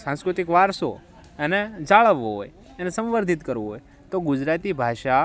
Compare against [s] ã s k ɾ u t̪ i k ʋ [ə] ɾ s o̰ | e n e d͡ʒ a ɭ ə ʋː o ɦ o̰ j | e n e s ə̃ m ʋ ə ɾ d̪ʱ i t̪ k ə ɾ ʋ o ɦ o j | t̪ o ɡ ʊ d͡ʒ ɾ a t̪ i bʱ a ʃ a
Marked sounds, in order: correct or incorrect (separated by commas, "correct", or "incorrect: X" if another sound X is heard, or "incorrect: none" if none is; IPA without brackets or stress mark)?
correct, incorrect: a